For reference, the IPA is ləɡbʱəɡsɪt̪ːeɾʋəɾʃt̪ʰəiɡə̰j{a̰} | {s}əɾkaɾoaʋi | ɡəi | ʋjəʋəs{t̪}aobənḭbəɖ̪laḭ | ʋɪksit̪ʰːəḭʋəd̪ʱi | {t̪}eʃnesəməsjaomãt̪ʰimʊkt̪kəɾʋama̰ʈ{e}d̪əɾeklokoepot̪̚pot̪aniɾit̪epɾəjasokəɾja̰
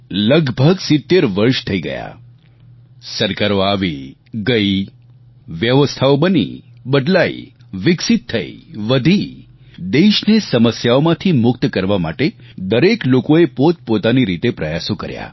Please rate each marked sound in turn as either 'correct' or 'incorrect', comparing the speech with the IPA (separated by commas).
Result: correct, correct, incorrect, incorrect, correct